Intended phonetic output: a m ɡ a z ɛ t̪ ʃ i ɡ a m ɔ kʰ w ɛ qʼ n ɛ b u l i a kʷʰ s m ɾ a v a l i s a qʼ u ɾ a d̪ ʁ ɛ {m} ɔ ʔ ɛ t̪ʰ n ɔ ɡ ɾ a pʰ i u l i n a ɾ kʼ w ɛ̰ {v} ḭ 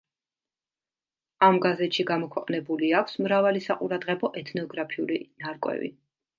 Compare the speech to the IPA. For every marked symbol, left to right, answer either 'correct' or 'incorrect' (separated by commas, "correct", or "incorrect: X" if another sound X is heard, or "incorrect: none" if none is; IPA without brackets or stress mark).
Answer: incorrect: b, correct